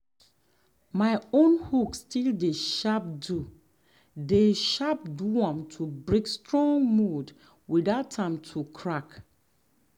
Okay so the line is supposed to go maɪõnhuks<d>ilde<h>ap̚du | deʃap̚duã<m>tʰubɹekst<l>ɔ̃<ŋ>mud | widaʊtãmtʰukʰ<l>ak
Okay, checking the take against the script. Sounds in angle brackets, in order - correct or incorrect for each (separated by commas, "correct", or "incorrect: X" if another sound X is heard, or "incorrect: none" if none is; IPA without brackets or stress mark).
incorrect: t, incorrect: ʃ, correct, incorrect: ɹ, correct, incorrect: ɹ